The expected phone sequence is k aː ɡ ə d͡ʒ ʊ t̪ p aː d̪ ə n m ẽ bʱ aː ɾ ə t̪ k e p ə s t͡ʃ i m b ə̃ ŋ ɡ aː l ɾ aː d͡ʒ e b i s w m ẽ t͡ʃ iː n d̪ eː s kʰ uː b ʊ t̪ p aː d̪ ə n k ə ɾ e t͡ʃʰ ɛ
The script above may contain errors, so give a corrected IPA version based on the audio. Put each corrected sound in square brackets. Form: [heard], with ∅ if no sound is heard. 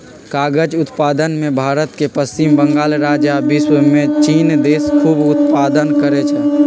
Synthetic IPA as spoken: k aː ɡ ə d͡ʒ ʊ t̪ p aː d̪ ə n m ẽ bʱ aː ɾ ə t̪ k e p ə s t͡ʃ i m b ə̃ ŋ ɡ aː l ɾ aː d͡ʒ [a] b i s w m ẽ t͡ʃ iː n d̪ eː s kʰ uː b ʊ t̪ p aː d̪ ə n k ə ɾ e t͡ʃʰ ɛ